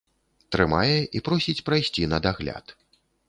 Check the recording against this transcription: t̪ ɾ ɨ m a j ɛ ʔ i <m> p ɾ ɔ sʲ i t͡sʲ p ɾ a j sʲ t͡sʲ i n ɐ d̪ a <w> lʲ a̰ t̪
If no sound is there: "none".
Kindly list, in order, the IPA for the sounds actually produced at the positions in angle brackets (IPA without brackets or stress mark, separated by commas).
none, ɣ